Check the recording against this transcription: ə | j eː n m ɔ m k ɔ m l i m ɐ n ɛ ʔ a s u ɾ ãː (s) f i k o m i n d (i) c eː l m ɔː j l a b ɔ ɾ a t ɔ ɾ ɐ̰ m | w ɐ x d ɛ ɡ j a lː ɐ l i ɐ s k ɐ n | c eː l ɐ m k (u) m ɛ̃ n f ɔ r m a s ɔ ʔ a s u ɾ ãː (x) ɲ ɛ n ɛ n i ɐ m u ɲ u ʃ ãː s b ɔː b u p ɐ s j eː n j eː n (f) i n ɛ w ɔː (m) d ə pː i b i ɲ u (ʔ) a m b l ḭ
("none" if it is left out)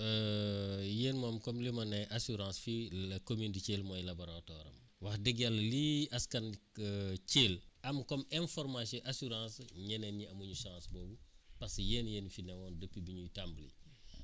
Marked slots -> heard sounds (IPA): s, i, ɔ, s, f, n, t

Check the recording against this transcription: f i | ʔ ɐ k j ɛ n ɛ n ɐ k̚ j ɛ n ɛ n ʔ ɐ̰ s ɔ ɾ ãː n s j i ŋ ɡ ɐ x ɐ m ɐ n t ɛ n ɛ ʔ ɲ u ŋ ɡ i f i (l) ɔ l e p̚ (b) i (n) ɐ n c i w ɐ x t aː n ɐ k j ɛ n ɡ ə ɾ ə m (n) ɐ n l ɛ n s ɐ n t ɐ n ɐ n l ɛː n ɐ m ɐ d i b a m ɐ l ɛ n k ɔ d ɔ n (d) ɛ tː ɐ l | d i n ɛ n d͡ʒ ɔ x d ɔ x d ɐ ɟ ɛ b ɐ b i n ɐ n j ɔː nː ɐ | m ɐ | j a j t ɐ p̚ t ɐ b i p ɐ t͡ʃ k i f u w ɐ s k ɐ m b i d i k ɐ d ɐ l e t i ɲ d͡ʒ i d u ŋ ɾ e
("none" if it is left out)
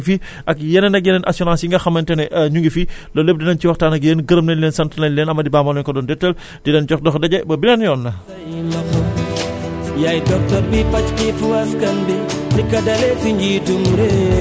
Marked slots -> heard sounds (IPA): l, d, n, n, d

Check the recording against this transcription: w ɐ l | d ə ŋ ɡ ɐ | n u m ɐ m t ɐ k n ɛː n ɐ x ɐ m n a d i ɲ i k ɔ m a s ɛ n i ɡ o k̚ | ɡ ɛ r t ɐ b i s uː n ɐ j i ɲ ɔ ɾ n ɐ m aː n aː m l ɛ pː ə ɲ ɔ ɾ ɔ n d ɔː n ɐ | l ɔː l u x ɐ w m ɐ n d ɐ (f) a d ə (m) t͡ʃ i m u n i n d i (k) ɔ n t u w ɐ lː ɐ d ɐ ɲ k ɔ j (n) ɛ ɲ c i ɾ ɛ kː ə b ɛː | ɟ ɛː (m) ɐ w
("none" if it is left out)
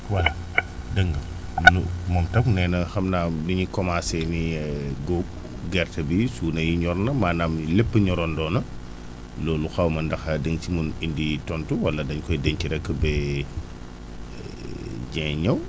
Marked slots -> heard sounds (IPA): x, ŋ, t, d, ɲ

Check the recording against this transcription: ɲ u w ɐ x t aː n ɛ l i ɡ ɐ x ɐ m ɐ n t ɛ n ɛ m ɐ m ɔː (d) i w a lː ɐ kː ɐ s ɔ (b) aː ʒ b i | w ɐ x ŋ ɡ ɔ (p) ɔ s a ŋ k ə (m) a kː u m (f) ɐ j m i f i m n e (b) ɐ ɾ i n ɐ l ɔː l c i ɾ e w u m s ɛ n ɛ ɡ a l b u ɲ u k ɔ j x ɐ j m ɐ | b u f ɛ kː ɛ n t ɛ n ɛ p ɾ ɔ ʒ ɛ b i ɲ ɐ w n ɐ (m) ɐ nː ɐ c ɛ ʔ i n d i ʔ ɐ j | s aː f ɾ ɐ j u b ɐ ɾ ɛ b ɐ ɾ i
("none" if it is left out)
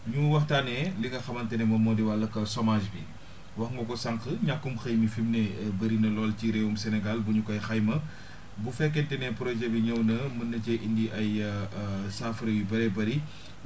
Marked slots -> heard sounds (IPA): d, m, k, ɲ, x, b, m

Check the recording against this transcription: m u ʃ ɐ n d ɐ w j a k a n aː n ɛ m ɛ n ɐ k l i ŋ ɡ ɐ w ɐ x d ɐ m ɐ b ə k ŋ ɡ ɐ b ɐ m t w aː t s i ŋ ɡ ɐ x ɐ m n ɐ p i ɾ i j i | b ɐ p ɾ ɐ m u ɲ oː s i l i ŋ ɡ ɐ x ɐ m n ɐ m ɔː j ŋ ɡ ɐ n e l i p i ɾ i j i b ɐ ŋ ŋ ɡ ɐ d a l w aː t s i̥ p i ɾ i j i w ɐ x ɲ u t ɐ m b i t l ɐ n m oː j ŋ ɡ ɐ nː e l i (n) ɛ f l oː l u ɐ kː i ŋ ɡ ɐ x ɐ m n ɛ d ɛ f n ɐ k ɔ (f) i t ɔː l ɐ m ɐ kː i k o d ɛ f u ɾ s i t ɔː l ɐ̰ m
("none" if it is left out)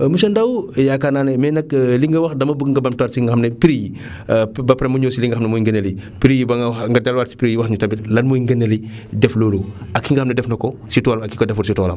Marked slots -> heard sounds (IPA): d, s

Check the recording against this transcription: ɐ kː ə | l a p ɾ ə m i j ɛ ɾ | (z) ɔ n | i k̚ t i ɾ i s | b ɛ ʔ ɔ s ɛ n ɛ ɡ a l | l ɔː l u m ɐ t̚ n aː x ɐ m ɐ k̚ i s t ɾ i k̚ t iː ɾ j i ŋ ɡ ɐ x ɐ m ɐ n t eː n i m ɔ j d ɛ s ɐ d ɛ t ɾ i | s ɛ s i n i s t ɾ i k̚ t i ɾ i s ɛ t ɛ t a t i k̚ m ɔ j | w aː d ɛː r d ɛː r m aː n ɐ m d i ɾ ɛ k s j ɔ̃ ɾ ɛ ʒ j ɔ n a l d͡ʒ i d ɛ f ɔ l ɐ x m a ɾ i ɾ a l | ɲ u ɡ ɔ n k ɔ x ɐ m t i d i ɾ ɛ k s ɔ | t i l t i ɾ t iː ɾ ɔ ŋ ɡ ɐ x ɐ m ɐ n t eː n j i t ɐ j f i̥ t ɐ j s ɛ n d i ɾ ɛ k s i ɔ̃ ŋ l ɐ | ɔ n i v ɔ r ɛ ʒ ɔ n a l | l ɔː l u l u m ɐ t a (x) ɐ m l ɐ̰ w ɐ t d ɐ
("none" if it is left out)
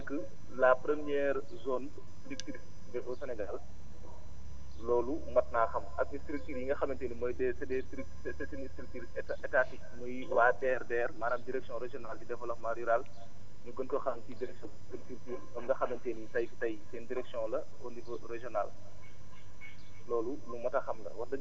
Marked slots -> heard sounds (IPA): z, x

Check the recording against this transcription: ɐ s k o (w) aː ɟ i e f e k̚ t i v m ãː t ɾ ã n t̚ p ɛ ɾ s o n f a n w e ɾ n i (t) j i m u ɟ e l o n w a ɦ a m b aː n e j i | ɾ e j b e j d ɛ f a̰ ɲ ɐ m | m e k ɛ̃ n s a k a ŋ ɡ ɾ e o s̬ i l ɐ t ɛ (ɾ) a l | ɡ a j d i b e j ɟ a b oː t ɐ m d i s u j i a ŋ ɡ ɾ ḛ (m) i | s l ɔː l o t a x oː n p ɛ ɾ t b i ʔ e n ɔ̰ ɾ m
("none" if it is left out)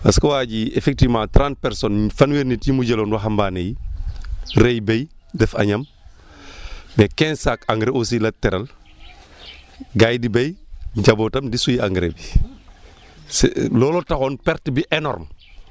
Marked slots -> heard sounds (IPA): w, t, ɾ, b

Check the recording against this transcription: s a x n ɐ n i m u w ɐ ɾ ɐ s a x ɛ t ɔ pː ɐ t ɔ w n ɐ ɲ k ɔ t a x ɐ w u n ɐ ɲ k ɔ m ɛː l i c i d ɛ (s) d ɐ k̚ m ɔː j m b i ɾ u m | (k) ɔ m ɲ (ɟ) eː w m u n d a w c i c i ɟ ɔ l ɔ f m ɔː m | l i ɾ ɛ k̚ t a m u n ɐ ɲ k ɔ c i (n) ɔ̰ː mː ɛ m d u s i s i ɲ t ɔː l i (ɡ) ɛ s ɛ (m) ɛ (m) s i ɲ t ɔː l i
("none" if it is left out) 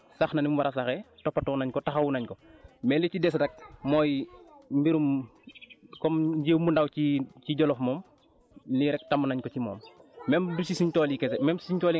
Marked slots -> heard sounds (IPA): s, k, ɟ, m, k, m, m

